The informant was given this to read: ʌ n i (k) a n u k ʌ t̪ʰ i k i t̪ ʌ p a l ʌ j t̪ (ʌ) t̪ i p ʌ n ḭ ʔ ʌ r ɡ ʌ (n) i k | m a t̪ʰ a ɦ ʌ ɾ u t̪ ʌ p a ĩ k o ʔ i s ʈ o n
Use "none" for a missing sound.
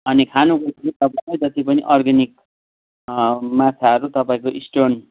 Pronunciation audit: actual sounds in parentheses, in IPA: kʰ, ʌ, n

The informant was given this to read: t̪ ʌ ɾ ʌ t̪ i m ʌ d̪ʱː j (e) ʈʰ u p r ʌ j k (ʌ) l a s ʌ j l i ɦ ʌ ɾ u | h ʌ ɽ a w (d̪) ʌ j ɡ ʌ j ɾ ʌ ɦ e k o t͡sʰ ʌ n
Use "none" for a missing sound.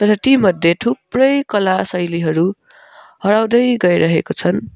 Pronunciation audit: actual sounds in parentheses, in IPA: e, ʌ, d̪

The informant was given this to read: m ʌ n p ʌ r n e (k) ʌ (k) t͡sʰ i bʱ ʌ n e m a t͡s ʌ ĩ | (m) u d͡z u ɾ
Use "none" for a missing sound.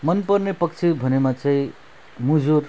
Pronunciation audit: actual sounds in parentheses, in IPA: p, k, m

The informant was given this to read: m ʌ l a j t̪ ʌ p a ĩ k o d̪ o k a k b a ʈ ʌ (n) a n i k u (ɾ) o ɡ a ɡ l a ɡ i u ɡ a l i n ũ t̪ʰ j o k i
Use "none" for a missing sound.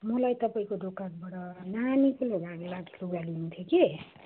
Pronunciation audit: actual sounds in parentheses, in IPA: n, l

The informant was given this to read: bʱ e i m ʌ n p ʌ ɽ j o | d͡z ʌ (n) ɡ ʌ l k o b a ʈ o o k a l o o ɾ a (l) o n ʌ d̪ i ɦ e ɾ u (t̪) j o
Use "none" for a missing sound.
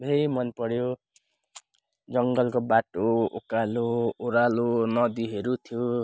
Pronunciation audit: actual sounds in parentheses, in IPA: ŋ, l, t̪ʰ

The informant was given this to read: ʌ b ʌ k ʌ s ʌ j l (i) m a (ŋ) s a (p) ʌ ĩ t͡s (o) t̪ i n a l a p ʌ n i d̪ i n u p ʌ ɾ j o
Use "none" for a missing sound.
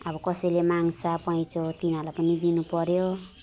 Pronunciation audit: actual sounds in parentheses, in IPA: e, ŋ, p, o

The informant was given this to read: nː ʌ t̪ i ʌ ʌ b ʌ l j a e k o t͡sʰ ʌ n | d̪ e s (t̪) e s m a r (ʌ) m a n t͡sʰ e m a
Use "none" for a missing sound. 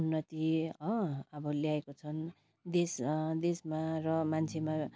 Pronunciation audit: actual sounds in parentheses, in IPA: d̪, ʌ

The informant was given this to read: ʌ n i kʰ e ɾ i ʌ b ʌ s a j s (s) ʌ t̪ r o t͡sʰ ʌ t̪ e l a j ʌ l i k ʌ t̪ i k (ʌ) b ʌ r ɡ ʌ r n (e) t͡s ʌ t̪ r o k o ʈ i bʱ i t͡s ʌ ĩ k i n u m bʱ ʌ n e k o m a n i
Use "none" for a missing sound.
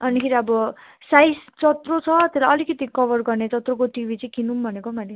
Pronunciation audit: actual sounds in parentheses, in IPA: t͡s, ʌ, e

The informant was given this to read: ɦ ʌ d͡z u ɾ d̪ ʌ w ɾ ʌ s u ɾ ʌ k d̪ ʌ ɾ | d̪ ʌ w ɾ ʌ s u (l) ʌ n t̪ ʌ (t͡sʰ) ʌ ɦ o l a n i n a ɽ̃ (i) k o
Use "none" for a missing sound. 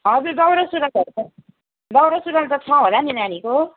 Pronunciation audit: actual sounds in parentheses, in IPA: ɾ, t͡sʰ, i

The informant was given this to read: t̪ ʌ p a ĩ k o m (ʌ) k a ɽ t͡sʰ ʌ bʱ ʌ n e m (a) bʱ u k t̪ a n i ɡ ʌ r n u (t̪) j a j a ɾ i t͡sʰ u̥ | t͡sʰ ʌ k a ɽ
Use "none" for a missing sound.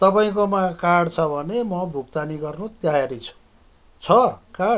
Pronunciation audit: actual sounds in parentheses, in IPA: a, ʌ, t̪

